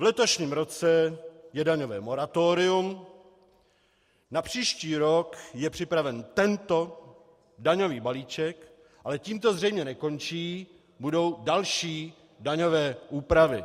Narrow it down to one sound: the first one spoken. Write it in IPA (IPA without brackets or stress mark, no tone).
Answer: v